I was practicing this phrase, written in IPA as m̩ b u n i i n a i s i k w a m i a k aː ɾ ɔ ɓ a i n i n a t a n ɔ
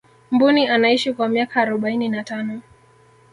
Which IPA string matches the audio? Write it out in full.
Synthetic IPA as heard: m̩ b u n i a n a i ʃ i k w a m i a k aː ɾ ɔ ɓ a i n i n a t a n ɔ